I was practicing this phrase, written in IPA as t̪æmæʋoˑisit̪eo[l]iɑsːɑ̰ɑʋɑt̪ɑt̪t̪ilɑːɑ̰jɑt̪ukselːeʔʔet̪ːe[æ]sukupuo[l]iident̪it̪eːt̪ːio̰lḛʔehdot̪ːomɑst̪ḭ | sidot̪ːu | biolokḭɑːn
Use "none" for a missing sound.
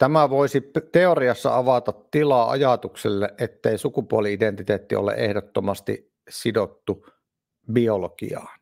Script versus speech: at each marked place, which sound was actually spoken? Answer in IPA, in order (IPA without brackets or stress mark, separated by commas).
r, i, l